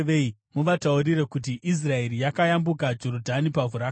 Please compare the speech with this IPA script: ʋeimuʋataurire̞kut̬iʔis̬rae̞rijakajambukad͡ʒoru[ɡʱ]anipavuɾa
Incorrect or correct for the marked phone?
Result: incorrect: dʱ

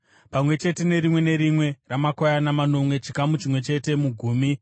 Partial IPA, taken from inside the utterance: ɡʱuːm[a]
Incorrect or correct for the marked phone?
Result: incorrect: i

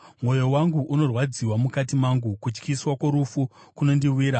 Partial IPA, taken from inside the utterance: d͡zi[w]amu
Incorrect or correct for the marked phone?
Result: correct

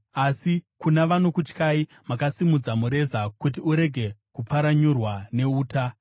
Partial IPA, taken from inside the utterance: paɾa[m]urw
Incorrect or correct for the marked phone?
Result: incorrect: ɲ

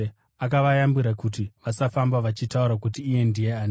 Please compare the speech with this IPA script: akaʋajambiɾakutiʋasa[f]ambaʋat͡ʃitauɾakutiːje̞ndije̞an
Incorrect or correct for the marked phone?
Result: correct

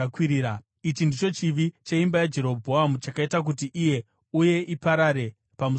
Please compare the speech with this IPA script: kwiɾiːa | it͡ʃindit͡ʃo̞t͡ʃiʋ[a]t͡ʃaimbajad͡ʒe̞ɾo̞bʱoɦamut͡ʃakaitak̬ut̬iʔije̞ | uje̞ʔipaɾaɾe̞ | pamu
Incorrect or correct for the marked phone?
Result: incorrect: i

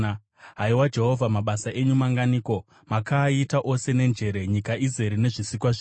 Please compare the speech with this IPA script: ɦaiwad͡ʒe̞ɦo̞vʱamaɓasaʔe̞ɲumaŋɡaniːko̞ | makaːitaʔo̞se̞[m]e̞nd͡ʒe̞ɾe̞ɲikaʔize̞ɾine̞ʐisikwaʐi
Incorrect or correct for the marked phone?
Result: incorrect: n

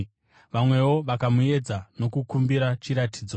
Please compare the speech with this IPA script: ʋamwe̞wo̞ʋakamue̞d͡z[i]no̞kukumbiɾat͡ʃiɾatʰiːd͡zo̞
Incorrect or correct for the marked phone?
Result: incorrect: a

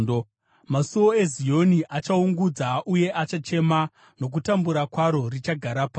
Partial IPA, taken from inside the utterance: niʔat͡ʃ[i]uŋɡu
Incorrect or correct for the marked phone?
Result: incorrect: a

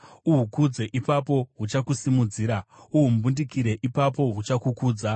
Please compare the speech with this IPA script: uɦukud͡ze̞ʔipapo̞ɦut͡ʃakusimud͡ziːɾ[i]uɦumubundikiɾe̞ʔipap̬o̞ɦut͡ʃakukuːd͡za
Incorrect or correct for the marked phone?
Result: incorrect: a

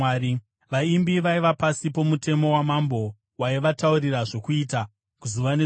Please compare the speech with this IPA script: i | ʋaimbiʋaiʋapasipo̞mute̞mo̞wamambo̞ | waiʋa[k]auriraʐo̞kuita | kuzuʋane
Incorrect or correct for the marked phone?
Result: incorrect: t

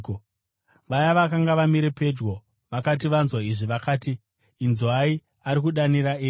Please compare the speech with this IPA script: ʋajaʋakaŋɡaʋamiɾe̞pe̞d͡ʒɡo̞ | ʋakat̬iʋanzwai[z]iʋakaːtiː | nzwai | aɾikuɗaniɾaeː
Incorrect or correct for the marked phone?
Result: incorrect: ʐ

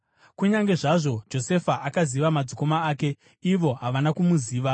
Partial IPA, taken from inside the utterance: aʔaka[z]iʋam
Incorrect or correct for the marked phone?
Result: correct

